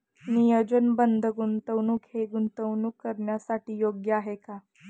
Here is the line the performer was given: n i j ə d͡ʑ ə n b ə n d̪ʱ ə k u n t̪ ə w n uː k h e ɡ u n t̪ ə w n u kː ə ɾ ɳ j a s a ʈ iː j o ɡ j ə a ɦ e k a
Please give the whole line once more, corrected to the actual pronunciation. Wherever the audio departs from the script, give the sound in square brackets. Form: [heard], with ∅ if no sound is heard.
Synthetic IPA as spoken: n i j ə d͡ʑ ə n b ə n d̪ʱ ə [ɡ] u n t̪ ə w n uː k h e ɡ u n t̪ ə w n u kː ə ɾ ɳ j a s a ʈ iː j o ɡ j ə a ɦ e k a